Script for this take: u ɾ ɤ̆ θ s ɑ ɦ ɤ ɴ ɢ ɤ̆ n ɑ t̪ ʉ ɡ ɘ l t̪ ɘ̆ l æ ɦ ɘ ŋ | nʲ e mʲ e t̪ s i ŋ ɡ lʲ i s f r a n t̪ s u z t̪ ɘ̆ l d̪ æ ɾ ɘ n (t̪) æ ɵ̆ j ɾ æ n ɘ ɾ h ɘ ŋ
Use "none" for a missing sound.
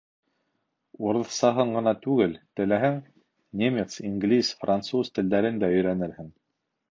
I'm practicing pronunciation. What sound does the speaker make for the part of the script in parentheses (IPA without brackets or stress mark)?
d̪